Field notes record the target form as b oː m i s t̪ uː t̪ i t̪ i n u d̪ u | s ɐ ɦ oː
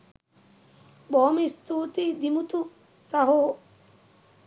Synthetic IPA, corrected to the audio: b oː m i s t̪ uː t̪ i d̪ i m u t̪ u | s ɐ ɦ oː